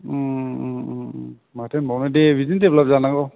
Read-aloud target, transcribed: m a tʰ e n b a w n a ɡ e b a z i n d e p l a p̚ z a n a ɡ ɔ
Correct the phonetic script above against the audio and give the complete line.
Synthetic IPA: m a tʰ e n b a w n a d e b i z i n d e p l a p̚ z a n a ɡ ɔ